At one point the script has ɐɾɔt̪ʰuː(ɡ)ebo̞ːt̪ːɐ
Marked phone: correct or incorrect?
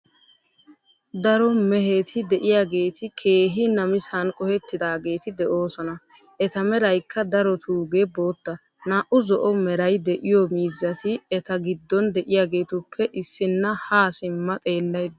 correct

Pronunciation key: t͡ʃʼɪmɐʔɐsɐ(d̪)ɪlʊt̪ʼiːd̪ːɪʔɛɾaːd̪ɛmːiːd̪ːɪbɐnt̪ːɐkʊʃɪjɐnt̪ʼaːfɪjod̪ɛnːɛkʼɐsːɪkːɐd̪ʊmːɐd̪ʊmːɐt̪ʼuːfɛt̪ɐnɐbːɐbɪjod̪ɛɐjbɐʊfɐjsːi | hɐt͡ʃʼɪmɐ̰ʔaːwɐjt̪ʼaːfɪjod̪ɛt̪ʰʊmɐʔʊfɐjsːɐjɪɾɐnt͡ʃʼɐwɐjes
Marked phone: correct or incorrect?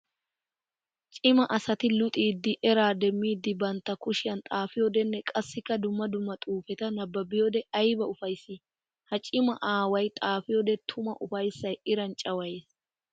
incorrect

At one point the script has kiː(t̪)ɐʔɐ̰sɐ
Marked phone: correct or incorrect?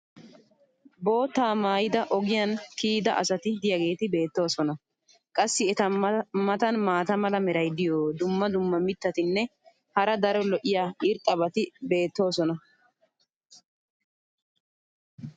incorrect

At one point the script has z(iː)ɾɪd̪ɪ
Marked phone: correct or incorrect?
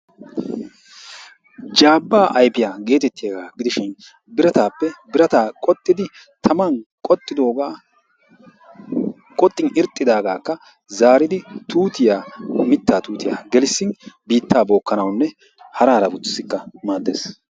incorrect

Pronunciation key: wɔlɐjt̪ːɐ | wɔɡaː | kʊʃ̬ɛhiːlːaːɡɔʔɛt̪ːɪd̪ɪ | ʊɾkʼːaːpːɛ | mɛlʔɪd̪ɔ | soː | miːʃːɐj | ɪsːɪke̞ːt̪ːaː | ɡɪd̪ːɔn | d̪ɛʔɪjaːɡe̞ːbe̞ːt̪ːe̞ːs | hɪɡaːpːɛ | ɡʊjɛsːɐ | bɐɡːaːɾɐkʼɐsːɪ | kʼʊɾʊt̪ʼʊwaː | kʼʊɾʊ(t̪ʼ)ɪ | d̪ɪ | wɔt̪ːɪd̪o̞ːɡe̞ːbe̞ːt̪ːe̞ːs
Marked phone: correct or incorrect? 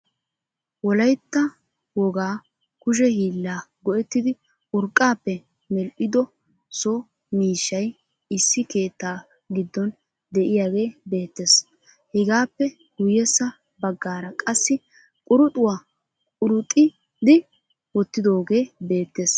correct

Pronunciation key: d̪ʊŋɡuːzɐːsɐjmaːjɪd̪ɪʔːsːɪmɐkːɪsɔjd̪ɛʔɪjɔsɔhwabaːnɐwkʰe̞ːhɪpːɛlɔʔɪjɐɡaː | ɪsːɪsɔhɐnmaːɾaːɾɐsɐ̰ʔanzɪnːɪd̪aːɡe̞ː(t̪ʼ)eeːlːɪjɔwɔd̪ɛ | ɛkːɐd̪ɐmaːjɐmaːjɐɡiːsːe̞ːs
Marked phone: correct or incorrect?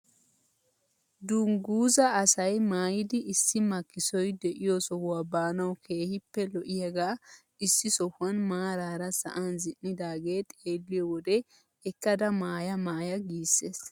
correct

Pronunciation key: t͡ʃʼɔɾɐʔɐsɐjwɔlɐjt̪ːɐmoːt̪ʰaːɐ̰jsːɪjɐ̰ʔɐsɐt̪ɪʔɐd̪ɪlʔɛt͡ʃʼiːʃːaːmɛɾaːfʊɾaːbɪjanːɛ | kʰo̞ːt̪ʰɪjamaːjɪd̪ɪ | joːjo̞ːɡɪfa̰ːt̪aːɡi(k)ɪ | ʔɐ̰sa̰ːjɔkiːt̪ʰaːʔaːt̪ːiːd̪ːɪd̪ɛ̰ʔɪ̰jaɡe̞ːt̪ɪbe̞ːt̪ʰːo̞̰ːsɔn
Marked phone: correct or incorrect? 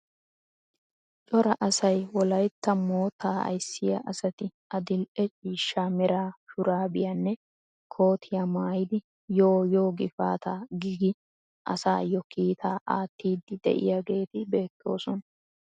incorrect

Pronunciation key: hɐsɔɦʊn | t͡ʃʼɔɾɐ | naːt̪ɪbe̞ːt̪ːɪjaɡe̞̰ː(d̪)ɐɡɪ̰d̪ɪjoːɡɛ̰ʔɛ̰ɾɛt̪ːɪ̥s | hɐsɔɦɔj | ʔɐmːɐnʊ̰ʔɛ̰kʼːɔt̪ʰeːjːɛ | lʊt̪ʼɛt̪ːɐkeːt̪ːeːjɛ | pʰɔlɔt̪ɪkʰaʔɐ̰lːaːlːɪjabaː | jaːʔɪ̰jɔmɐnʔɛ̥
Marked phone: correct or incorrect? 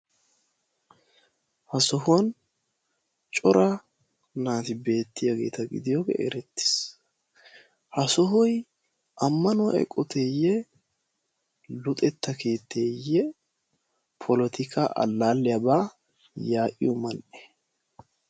incorrect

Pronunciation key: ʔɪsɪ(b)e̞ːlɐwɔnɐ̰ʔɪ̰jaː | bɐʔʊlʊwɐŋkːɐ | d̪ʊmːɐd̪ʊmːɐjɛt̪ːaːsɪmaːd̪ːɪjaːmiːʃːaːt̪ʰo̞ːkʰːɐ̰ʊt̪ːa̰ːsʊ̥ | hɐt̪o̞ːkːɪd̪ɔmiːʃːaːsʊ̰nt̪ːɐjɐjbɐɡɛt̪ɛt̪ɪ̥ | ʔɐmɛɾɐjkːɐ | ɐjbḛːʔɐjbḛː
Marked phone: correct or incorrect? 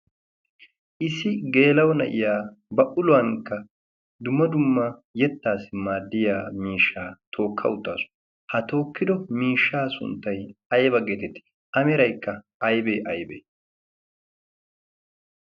incorrect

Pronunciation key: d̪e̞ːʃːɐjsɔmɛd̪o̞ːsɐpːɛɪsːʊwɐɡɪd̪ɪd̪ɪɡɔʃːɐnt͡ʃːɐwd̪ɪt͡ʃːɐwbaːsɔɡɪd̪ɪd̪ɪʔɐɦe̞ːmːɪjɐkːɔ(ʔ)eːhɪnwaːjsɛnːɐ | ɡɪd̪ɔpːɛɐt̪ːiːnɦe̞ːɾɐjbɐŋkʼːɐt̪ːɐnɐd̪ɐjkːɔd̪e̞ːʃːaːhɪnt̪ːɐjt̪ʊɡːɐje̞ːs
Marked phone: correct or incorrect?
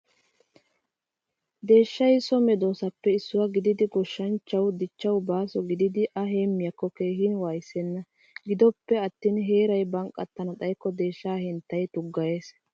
incorrect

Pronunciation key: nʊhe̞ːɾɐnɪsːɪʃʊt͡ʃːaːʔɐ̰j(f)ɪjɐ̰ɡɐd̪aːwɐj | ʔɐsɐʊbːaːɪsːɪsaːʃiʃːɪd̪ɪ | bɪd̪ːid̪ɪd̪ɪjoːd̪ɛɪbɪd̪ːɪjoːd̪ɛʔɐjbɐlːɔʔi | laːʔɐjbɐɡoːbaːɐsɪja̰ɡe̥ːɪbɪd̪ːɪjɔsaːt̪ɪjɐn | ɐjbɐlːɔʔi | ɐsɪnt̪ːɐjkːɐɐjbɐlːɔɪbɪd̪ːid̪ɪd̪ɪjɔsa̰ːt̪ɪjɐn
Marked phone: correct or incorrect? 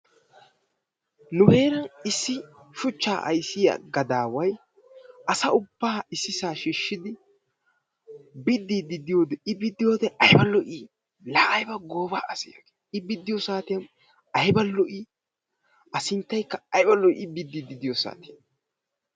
incorrect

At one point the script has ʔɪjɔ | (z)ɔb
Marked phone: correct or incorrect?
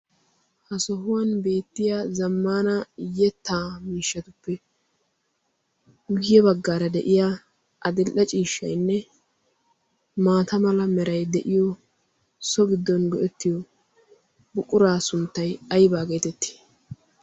incorrect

